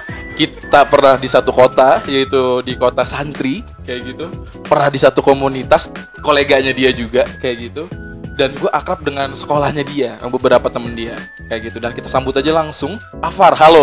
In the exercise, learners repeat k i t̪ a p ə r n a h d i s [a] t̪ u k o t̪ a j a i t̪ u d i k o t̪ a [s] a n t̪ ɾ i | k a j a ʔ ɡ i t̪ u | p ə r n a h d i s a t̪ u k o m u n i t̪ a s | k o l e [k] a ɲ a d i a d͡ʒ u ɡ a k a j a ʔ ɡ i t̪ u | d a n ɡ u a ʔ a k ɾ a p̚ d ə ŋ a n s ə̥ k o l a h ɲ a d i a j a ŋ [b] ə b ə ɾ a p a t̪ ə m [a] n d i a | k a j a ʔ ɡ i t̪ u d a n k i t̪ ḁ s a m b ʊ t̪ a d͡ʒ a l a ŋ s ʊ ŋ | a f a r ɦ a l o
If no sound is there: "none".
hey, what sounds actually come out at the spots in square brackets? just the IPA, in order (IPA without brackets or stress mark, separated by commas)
a, s, ɡ, b, ə